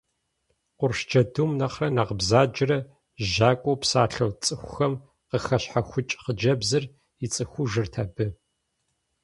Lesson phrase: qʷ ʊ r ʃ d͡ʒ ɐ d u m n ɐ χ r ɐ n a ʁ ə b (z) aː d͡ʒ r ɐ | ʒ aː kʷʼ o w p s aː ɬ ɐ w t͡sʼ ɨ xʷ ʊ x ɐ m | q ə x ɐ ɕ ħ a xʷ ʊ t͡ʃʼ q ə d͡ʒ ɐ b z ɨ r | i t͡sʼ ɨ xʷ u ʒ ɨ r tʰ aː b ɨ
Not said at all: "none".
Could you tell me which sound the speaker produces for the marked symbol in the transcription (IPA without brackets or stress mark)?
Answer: z